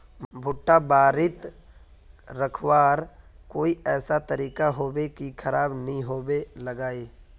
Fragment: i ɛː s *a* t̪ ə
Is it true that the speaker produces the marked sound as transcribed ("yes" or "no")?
yes